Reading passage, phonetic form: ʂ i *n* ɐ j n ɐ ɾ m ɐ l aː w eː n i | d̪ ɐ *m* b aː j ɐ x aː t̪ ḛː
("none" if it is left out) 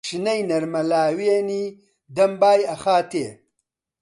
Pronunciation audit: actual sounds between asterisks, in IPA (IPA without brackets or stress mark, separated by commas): n, m